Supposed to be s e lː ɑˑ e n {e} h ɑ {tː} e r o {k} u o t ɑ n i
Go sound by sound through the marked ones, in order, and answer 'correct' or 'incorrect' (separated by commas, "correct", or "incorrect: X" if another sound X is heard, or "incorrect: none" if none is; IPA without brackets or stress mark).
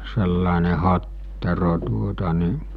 correct, correct, incorrect: t